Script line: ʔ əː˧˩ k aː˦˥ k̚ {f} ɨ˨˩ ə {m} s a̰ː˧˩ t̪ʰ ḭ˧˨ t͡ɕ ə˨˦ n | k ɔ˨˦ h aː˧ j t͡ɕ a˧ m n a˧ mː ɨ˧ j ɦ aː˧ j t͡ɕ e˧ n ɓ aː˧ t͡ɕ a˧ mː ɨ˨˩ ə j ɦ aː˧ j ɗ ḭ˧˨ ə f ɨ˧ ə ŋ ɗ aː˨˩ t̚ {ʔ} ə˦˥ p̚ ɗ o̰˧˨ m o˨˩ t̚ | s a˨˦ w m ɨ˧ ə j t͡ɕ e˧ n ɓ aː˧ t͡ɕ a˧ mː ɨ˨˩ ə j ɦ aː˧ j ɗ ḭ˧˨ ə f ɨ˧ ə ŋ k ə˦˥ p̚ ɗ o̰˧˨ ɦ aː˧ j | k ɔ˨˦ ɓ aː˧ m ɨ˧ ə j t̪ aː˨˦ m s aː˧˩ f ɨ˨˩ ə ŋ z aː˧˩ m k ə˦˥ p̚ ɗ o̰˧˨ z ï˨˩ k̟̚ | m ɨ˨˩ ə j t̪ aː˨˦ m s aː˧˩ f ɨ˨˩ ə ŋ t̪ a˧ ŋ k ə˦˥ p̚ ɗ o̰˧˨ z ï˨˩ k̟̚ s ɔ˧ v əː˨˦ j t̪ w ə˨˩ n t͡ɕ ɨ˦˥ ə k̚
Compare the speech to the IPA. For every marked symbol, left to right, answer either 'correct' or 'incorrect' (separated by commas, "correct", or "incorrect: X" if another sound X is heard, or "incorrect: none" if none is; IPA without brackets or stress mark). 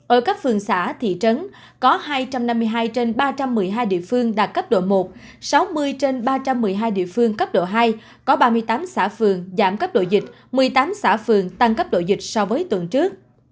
correct, incorrect: ŋ, incorrect: k